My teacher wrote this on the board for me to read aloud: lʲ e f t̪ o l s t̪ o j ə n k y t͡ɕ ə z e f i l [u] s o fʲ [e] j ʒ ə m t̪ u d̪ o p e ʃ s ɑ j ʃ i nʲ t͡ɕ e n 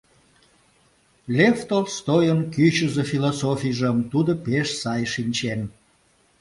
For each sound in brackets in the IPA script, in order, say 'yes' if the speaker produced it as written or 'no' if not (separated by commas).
no, no